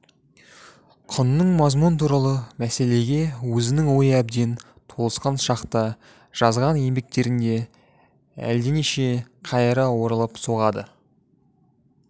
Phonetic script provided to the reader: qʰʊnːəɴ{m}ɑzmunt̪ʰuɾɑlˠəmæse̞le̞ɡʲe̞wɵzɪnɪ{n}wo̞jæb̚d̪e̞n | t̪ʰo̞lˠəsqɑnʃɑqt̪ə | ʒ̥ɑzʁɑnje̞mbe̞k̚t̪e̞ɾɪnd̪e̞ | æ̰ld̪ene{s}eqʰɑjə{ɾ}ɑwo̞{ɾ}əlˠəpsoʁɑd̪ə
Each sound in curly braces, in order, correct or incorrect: correct, incorrect: ŋ, incorrect: ʃ, correct, correct

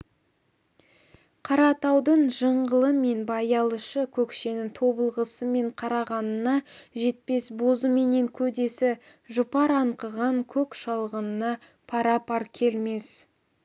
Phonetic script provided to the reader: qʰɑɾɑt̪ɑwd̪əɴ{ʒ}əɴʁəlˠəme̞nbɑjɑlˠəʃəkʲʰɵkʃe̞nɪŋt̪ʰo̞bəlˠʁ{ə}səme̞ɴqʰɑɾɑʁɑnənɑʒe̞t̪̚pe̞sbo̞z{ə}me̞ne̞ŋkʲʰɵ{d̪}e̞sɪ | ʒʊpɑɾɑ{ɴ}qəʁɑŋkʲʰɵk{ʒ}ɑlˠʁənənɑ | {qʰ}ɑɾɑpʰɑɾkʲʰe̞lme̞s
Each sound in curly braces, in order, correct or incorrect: correct, correct, correct, correct, correct, incorrect: ʃ, incorrect: pʰ

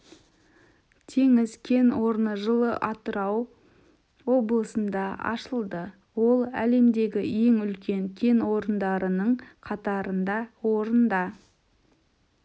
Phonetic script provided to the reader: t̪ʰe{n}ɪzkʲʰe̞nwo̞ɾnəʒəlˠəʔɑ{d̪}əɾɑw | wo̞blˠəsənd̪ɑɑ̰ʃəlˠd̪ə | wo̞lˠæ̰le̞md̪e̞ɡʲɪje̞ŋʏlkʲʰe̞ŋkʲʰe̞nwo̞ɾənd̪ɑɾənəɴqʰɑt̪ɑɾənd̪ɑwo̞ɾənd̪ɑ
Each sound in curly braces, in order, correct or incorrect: incorrect: ŋ, incorrect: t̪

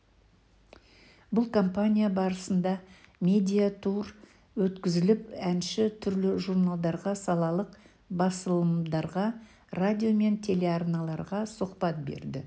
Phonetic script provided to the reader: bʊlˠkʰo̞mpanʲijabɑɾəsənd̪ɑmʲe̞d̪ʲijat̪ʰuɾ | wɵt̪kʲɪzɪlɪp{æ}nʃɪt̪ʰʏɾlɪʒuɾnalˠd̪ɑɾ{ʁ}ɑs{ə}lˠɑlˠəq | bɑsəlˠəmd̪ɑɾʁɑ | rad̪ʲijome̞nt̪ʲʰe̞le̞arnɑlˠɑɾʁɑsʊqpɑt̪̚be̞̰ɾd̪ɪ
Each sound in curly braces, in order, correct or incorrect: correct, correct, incorrect: ɑ

